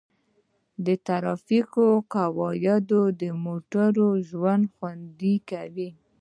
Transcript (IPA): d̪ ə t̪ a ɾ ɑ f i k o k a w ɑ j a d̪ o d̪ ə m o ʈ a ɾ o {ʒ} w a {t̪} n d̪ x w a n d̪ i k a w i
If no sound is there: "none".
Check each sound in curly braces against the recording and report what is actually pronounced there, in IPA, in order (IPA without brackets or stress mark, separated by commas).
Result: ʒ, none